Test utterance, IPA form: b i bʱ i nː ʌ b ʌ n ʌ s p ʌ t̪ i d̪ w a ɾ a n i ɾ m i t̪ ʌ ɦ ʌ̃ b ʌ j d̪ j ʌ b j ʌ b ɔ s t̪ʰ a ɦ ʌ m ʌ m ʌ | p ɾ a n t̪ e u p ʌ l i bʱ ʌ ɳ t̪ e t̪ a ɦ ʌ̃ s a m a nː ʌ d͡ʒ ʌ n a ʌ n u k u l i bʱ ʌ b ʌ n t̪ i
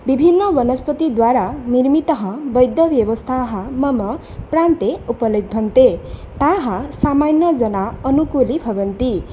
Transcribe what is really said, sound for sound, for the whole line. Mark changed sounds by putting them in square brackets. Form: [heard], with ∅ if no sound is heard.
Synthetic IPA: b i bʱ i nː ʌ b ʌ n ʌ s p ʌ t̪ i d̪ w a ɾ a n i ɾ m i t̪ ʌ ɦ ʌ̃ b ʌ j d̪ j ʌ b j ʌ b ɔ s t̪ʰ a ɦ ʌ m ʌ m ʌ | p ɾ a n t̪ e u p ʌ l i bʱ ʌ [n] t̪ e t̪ a ɦ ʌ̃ s a m a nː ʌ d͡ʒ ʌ n a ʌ n u k u l i bʱ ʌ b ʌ n t̪ i